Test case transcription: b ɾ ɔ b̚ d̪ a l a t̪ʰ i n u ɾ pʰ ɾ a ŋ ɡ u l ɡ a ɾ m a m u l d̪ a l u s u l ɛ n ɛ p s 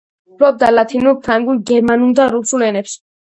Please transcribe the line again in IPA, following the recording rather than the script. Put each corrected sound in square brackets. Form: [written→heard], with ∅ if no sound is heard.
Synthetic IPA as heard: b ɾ ɔ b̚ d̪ a l a t̪ʰ i n u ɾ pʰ ɾ a ŋ ɡ u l ɡ [a→ɛ] ɾ m a [m→n] u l d̪ a [l→ɾ] u s u l ɛ n ɛ p s